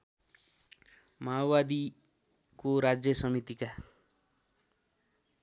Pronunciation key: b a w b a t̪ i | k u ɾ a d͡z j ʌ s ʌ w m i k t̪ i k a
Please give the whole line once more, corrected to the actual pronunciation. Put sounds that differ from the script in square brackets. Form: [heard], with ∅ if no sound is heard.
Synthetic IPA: [m] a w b a [d̪] i | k [o] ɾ a d͡z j ʌ s ʌ [∅] m i [∅] t̪ i k a